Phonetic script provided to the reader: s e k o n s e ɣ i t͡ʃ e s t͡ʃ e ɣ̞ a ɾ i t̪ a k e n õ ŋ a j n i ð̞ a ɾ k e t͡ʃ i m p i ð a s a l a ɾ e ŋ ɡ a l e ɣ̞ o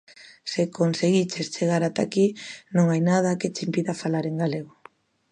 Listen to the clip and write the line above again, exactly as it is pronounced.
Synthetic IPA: s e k o n s e ɣ i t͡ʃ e s t͡ʃ e ɣ̞ a ɾ a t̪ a k i n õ ŋ a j n a ð̞ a k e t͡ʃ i m p i ð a f a l a ɾ e ŋ ɡ a l e ɣ̞ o